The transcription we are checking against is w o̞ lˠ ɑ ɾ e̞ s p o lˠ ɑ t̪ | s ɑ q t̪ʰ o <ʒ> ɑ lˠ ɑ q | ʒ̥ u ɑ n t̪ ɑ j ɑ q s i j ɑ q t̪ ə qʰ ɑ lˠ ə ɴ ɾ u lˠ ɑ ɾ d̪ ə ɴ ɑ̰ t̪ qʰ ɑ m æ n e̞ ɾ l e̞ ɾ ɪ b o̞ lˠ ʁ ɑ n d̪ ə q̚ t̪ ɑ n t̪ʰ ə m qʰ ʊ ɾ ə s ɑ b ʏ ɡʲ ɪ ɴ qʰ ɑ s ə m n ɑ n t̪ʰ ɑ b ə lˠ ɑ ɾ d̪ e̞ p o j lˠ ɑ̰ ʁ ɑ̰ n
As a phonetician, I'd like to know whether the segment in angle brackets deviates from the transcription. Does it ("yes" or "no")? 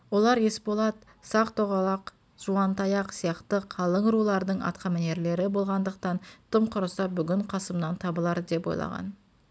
yes